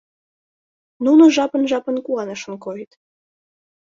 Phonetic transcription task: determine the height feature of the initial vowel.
high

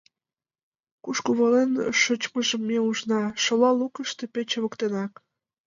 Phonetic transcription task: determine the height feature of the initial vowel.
high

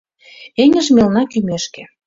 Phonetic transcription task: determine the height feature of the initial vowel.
mid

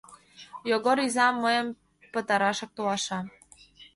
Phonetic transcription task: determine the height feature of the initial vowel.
mid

